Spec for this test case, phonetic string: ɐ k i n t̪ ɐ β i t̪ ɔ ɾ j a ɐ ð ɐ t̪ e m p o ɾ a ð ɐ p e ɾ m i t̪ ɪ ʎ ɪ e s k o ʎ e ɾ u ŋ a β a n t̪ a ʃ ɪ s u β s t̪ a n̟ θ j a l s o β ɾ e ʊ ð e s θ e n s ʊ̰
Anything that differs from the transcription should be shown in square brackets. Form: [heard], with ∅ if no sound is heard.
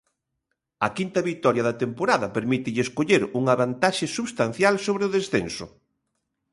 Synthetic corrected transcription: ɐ k i n t̪ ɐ β i t̪ ɔ ɾ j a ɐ ð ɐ t̪ e m p o ɾ a ð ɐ p e ɾ m i t̪ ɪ ʎ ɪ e s k o ʎ e ɾ u ŋ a β a n t̪ a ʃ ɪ s u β s t̪ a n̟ θ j a l s o β ɾ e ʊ ð e s θ e n s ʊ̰